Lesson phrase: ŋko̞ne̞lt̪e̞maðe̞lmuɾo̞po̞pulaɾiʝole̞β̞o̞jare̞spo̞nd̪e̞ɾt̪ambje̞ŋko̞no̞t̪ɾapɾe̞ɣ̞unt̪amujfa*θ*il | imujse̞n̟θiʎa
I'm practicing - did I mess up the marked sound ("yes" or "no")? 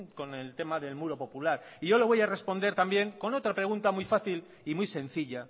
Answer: no